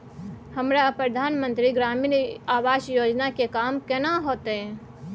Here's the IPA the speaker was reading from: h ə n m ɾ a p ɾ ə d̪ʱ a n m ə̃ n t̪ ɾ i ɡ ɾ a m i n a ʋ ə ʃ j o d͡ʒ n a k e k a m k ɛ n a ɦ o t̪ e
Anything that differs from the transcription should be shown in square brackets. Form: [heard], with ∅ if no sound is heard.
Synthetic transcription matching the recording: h ə [∅] m ɾ a p ɾ ə d̪ʱ a n m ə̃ n t̪ ɾ i ɡ ɾ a m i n a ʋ [a] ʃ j o d͡ʒ n a k e k a m k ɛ n a ɦ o t̪ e